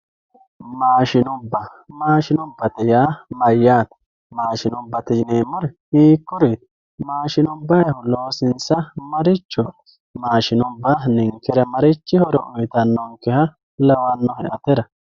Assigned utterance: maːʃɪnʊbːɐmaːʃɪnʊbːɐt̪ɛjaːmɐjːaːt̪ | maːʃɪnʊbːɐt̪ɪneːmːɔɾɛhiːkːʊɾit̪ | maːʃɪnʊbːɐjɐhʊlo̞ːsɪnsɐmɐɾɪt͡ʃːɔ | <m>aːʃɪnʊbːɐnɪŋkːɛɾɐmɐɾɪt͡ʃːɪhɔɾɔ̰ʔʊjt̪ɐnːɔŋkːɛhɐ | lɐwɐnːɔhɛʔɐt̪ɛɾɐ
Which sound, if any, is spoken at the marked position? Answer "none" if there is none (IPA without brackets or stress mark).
m